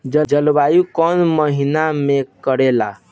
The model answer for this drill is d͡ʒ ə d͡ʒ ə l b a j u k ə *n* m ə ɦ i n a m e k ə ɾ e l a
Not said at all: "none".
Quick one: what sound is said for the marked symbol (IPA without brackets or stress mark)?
n